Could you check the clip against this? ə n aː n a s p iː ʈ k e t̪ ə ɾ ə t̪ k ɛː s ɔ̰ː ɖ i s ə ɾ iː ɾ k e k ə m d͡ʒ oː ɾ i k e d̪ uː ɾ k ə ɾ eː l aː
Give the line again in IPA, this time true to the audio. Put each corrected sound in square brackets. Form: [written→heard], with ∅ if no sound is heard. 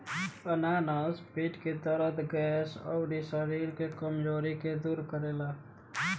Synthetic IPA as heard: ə n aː n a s p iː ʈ k e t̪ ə ɾ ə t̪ [k→ɡ] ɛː s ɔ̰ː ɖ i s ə ɾ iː ɾ k e k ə m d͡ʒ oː ɾ i k e d̪ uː ɾ k ə ɾ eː l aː